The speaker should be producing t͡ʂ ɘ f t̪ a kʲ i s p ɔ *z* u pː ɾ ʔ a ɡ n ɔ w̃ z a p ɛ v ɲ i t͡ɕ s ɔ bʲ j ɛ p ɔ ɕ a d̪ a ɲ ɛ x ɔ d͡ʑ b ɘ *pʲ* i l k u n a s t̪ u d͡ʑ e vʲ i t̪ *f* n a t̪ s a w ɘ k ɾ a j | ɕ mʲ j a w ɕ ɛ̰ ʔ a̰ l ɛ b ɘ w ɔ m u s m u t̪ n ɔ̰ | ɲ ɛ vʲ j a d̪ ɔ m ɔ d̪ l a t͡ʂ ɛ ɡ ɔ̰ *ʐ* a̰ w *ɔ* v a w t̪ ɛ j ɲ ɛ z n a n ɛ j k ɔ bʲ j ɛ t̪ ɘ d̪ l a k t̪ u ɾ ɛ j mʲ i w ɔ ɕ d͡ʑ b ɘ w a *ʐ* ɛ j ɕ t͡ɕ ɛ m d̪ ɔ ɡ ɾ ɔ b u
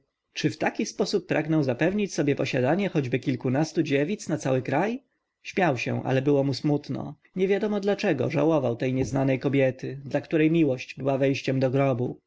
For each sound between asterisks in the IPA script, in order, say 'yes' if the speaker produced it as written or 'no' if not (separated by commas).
no, no, no, yes, yes, no